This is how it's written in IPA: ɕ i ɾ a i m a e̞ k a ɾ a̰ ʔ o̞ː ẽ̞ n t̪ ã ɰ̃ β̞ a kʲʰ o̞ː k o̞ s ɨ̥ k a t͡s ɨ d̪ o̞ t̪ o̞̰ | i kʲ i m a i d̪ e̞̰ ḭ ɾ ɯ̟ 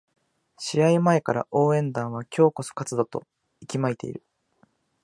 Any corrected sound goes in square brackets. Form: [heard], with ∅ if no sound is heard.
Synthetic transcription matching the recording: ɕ i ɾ a i m a e̞ k a ɾ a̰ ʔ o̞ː ẽ̞ n [d̪] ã ɰ̃ β̞ a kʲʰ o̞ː k o̞ s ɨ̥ k a t͡s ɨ d̪ o̞ t̪ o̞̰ | i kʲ i m a i [t̪] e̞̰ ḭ ɾ ɯ̟